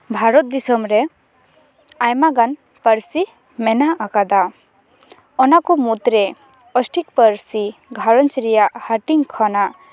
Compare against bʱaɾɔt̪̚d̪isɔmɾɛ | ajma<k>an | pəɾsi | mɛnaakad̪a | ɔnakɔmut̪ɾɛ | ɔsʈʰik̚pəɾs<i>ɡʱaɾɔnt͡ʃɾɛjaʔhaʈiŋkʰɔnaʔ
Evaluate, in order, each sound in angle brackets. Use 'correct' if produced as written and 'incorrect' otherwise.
incorrect: ɡ, correct

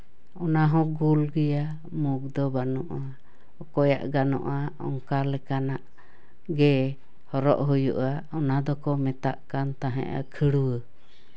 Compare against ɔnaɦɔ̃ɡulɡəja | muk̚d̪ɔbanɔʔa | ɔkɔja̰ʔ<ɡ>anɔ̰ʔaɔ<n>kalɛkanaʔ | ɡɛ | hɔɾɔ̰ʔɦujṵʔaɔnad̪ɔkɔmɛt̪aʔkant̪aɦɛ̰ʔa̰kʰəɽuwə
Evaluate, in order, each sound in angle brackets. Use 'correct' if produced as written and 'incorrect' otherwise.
correct, incorrect: ŋ

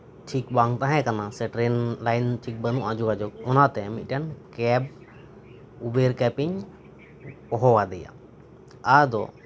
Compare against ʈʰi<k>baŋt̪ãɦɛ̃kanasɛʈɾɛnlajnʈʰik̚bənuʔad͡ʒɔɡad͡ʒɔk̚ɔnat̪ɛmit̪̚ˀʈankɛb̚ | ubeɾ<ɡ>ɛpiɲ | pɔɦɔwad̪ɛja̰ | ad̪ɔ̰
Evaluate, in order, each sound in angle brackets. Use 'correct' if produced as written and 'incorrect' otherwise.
correct, incorrect: k

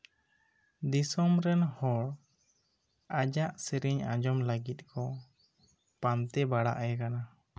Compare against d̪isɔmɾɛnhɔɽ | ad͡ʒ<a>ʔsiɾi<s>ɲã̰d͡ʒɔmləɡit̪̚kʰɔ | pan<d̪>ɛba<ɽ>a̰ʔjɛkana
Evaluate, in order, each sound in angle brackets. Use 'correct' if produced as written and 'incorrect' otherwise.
correct, incorrect: none, incorrect: t̪, correct

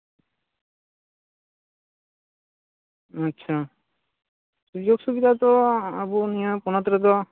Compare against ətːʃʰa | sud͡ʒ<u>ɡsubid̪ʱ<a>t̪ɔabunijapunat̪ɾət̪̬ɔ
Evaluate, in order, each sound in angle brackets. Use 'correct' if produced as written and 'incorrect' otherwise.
incorrect: o, correct

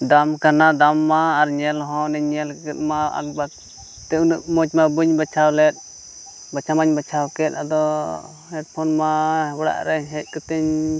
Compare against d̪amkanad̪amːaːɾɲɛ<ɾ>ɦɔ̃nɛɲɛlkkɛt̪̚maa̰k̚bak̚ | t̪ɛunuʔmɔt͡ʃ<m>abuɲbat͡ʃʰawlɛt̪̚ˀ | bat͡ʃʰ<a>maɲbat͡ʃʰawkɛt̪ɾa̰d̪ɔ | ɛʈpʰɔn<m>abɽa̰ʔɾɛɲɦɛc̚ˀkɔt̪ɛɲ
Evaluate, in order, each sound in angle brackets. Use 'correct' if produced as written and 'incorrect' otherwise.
incorrect: l, correct, correct, correct

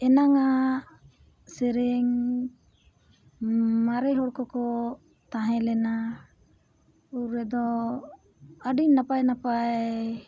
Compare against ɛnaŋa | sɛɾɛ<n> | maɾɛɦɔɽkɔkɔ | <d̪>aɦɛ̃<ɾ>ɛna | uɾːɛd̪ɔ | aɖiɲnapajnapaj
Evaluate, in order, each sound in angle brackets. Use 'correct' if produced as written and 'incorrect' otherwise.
incorrect: ŋ, incorrect: t̪, incorrect: l

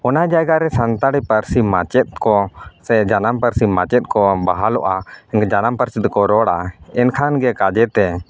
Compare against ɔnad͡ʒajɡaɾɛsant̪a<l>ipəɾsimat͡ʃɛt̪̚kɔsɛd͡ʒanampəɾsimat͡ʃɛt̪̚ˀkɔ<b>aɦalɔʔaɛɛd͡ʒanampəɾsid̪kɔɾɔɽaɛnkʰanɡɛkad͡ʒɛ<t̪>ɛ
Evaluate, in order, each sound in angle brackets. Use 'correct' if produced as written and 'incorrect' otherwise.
incorrect: ɽ, correct, correct

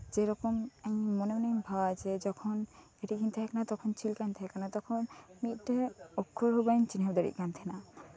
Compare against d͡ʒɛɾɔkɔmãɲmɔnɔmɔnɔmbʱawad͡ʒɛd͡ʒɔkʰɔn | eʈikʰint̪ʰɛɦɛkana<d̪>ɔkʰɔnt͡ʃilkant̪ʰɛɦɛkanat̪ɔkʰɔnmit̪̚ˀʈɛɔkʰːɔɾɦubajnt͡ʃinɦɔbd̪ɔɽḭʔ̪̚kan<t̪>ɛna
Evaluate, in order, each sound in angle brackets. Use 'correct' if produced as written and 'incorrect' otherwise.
incorrect: t̪, incorrect: t̪ʰ

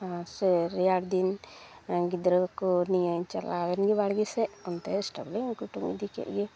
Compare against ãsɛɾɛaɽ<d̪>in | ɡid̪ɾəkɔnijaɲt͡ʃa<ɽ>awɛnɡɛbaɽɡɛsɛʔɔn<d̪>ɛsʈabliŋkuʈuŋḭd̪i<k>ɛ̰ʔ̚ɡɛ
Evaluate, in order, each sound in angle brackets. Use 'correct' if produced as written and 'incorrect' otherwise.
correct, incorrect: l, incorrect: t̪, correct

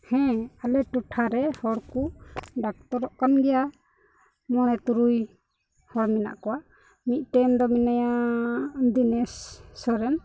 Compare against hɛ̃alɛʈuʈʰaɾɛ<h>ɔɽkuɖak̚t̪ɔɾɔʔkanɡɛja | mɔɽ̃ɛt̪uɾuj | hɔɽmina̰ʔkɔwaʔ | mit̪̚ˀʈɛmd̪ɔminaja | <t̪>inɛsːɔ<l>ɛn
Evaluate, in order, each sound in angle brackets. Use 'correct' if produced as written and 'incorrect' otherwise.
correct, incorrect: d̪, incorrect: ɾ

